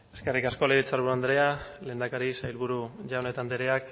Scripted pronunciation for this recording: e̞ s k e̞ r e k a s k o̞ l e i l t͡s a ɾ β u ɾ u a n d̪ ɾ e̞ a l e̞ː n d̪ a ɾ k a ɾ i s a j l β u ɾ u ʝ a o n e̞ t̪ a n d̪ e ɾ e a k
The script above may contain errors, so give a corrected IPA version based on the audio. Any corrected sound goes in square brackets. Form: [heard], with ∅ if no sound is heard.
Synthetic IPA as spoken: e̞ s k e̞ r [i] k a s k o̞ l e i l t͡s a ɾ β u ɾ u a n d̪ ɾ e̞ a l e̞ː n d̪ a [∅] k a ɾ i s a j l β u ɾ u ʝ a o n e̞ t̪ a n d̪ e ɾ e a k